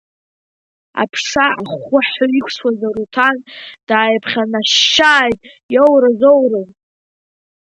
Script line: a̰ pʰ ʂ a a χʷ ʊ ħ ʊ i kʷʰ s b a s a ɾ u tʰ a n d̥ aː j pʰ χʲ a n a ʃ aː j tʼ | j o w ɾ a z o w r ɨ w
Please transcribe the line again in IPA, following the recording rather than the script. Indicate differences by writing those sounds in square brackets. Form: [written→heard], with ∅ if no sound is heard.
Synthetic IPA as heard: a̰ pʰ ʂ a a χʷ ʊ ħ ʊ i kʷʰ s [b→w] a [s→z] a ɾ u tʰ a n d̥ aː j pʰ χʲ a n a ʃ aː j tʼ | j o w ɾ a z o w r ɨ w